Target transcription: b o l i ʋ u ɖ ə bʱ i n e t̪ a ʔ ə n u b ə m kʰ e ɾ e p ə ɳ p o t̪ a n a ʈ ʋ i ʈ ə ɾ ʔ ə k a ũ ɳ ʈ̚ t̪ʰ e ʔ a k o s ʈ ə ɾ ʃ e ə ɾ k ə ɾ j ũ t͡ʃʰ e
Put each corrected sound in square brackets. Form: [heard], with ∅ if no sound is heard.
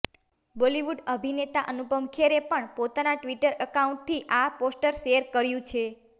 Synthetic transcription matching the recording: b o l i ʋ u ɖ ə bʱ i n e t̪ a ʔ ə n u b ə m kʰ e ɾ e p ə ɳ p o t̪ a n a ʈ ʋ i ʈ ə ɾ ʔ ə k a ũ ɳ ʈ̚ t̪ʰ [i] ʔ a [p] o s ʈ ə ɾ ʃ e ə ɾ k ə ɾ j ũ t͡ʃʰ e